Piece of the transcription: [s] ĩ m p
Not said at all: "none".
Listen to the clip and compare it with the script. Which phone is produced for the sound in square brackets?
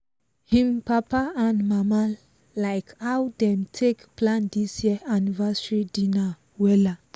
h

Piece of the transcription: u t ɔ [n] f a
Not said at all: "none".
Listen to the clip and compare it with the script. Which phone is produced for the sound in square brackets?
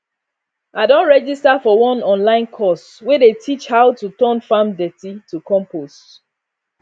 n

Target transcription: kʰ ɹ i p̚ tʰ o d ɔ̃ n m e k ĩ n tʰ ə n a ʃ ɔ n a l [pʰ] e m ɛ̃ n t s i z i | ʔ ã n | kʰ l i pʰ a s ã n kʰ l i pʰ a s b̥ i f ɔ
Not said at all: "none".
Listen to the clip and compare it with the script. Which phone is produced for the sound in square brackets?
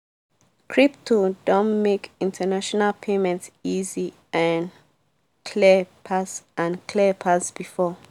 pʰ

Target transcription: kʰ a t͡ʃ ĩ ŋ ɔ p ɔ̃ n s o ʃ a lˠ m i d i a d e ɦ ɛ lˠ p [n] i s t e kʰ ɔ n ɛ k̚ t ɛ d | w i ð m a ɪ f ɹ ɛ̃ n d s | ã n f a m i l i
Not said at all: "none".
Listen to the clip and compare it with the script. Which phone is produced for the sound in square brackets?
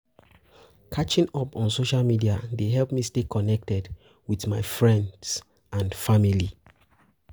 m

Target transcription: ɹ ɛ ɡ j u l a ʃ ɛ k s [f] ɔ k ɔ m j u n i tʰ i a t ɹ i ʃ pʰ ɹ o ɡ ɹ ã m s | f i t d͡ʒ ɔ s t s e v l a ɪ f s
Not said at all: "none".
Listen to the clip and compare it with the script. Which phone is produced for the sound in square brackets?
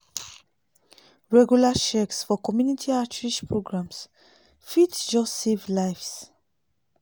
f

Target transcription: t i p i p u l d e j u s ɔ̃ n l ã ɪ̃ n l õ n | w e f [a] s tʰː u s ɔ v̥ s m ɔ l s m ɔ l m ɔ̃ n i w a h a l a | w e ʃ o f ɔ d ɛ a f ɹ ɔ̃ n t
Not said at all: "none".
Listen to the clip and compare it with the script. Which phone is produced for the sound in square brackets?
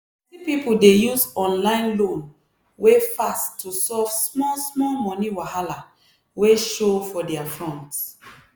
a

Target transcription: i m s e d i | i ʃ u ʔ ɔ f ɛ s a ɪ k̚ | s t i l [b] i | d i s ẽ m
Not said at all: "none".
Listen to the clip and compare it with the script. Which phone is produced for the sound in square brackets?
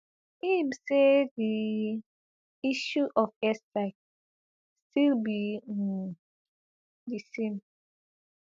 b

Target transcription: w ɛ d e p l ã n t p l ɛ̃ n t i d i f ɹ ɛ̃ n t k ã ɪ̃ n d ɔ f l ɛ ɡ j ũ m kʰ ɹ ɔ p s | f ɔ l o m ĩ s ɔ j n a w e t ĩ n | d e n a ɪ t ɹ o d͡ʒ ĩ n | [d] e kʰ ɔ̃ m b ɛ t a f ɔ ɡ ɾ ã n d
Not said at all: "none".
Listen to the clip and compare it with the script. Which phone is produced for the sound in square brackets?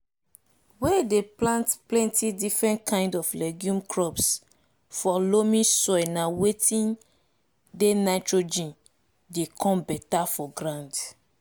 d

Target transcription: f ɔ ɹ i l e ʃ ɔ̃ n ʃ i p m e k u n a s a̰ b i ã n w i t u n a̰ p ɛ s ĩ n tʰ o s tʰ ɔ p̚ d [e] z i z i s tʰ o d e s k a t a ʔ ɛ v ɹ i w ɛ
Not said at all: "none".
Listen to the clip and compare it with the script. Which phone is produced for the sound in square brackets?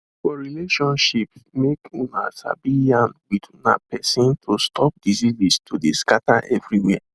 i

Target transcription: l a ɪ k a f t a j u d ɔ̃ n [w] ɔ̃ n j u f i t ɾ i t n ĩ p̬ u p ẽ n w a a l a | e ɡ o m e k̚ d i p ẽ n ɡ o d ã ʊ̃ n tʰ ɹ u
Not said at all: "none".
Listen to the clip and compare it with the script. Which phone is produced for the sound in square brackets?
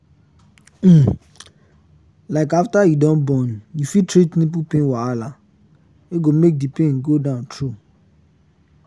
b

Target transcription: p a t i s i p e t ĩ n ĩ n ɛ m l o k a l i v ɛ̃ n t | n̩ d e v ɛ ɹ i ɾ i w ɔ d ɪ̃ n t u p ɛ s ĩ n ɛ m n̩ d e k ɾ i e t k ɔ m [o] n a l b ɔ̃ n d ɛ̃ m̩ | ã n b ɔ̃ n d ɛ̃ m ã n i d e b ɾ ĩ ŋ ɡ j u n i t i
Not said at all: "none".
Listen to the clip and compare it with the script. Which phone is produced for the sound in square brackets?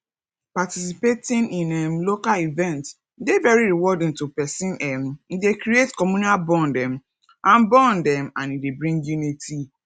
u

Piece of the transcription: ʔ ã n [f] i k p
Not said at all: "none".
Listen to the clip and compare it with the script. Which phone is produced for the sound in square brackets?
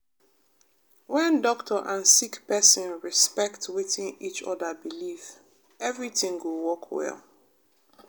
s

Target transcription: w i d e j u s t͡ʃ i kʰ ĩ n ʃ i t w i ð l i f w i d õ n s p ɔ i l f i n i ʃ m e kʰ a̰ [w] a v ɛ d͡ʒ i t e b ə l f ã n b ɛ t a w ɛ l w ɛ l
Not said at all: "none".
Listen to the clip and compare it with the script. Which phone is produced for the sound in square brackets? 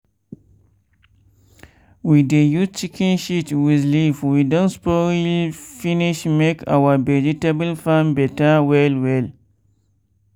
w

